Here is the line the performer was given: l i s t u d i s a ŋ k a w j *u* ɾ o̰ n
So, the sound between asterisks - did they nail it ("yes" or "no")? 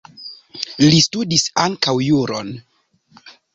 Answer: yes